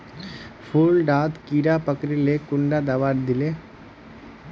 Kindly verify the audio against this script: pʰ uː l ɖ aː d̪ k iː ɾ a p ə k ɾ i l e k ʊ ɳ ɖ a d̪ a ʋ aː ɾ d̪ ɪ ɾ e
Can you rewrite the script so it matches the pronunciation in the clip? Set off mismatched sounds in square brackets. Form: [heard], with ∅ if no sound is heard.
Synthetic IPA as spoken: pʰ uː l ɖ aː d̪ k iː ɾ a p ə k ɾ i l e k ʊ ɳ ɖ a d̪ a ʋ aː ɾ d̪ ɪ [l] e